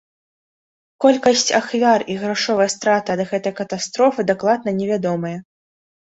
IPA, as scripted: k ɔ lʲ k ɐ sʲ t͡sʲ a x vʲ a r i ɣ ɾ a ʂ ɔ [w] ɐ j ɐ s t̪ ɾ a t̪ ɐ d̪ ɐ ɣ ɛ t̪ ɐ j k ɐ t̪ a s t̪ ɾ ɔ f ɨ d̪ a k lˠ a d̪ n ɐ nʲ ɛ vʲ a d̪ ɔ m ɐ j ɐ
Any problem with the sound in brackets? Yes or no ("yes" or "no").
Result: yes